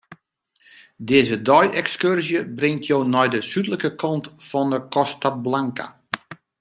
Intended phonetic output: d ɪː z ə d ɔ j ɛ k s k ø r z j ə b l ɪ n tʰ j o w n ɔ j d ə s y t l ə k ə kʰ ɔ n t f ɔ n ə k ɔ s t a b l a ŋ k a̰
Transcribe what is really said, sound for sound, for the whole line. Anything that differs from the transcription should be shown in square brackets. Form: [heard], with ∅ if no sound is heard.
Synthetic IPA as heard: d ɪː z ə d ɔ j ɛ k s k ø r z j ə b [r] ɪ [ŋ] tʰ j o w n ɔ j d ə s y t l ə k ə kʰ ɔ n t f ɔ n ə k ɔ s t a b l a ŋ k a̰